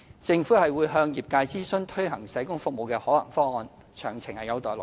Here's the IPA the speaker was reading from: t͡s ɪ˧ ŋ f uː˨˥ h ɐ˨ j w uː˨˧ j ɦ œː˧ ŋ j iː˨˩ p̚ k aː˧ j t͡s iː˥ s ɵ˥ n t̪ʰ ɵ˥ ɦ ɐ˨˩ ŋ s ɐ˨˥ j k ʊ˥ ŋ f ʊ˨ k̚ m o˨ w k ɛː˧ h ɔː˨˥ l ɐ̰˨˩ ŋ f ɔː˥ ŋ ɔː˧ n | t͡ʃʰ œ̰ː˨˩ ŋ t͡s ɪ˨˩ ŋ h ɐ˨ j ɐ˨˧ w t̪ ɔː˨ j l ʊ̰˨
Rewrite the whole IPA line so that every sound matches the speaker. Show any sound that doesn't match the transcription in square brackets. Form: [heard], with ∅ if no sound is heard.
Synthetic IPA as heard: t͡s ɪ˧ ŋ f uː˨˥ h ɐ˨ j w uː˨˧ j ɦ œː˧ ŋ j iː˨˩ p̚ k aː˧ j t͡s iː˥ s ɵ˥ n t̪ʰ ɵ˥ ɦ ɐ˨˩ ŋ s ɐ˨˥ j k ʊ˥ ŋ f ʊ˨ k̚ m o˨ w k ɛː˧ h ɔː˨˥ l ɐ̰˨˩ ŋ f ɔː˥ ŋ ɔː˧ n | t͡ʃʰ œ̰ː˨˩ ŋ [t͡sʰ] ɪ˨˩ ŋ h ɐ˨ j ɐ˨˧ w t̪ ɔː˨ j l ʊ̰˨